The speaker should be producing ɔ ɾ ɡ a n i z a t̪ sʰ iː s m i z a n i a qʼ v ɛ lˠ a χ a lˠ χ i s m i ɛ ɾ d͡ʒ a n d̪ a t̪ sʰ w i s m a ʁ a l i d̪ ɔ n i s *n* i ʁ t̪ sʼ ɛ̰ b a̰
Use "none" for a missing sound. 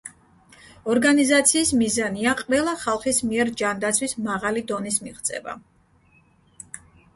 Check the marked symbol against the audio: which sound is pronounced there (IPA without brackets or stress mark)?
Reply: m